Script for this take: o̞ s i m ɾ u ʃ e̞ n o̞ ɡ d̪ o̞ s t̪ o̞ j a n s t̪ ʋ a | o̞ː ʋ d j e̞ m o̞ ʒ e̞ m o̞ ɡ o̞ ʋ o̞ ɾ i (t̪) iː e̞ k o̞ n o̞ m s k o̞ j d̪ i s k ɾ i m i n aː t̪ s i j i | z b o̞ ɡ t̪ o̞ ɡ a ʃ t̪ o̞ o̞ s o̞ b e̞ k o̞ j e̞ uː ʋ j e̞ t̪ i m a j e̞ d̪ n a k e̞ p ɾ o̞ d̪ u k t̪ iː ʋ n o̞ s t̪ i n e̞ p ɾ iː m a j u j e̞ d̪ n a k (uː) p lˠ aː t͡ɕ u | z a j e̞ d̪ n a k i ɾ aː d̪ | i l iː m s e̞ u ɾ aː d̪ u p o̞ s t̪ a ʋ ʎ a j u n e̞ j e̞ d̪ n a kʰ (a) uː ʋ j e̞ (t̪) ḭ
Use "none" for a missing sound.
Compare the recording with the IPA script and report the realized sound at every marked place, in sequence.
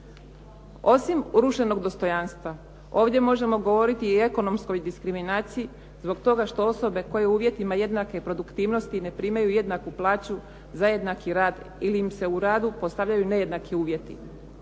t̪, u, i, t̪

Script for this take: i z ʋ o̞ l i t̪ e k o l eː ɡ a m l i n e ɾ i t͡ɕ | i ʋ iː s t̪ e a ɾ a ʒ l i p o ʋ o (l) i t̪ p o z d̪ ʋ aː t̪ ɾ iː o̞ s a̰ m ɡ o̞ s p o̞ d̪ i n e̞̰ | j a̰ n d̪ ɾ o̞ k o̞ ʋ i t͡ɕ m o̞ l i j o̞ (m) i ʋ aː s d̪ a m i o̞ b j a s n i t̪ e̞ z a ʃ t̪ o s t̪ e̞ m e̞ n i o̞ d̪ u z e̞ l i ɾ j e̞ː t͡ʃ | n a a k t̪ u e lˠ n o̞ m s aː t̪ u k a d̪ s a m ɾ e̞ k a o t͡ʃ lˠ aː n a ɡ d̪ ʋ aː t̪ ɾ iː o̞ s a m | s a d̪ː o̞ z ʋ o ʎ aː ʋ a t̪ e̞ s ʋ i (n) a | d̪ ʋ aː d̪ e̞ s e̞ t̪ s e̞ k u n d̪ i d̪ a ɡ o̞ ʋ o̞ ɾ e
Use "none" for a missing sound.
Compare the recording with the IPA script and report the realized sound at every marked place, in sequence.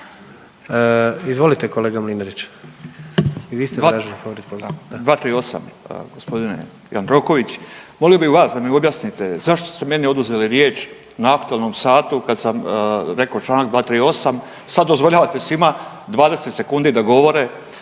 ɾ, b, m

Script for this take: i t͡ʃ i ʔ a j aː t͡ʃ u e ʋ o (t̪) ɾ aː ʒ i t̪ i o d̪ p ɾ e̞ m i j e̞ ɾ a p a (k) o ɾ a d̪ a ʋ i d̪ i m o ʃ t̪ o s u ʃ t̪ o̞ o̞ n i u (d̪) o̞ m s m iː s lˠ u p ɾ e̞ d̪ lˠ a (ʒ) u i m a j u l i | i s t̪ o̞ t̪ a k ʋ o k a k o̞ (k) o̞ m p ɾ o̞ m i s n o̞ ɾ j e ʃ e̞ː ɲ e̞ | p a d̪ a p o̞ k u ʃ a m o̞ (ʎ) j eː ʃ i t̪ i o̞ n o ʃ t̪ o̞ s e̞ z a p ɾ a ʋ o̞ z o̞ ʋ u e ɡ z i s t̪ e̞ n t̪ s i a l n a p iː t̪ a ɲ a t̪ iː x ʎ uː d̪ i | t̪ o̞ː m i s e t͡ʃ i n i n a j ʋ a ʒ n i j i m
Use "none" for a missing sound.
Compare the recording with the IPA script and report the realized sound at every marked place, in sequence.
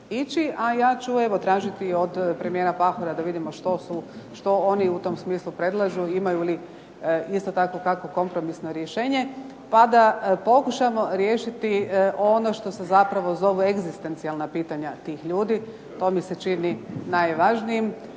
t̪, x, t̪, ʒ, k, ɾ

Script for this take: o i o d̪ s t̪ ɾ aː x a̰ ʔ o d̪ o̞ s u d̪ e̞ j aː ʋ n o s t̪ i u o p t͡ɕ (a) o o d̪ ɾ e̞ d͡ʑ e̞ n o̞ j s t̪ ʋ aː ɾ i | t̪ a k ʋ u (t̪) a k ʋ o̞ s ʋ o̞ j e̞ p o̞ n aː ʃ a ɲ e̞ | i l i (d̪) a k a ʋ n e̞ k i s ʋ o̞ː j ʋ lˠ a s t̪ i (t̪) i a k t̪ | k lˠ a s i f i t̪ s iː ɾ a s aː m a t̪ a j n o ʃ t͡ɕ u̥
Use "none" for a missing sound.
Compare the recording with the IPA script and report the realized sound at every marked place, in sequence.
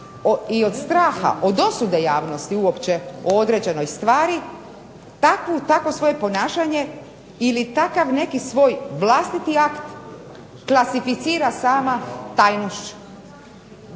e, t̪, t̪, t̪

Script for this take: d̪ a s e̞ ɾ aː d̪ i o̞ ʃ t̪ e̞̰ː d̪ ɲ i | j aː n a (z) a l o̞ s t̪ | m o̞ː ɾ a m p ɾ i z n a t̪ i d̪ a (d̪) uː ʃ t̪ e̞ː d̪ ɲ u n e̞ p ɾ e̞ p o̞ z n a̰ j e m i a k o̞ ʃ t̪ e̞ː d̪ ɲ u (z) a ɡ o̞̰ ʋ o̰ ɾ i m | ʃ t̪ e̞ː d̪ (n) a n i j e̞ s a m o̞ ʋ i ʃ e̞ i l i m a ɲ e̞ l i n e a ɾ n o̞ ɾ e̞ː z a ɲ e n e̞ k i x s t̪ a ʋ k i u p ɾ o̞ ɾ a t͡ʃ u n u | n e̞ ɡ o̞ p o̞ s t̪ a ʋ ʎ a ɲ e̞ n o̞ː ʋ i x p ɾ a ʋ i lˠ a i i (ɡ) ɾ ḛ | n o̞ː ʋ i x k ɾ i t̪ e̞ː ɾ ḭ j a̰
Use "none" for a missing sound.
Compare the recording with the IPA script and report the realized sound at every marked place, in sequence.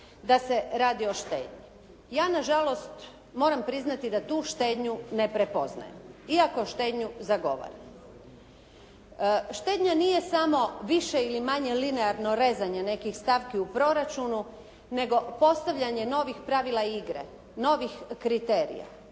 ʒ, t̪, z, ɲ, ɡ

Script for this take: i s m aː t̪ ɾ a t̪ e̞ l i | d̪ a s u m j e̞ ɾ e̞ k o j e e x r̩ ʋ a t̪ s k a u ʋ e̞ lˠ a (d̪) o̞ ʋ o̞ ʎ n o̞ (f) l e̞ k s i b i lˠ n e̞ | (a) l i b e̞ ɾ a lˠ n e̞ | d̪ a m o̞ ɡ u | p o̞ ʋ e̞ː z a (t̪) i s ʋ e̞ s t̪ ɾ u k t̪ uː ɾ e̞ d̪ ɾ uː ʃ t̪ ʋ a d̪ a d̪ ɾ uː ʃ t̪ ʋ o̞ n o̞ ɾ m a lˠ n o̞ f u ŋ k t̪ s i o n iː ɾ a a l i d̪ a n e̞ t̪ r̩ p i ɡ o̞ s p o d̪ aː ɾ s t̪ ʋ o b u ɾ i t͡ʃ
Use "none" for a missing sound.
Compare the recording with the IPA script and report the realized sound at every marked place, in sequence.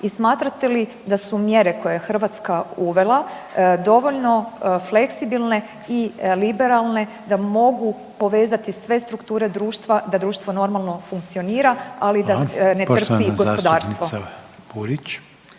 d̪, f, i, t̪

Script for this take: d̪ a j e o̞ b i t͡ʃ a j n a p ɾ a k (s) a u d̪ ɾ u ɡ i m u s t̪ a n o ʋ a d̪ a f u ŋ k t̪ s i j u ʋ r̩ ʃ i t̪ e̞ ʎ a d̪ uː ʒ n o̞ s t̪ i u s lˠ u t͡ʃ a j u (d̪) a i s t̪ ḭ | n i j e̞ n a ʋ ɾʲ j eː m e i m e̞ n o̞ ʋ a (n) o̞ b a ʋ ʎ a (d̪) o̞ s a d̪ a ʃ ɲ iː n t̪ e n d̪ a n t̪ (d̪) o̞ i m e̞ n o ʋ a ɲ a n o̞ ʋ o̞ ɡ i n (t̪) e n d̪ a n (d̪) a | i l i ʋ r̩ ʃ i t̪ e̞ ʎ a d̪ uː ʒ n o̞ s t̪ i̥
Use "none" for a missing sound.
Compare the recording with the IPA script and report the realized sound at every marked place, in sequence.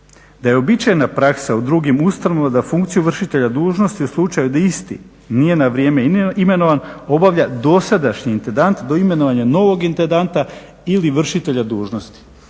s, d̪, n, d̪, d̪, t̪, t̪

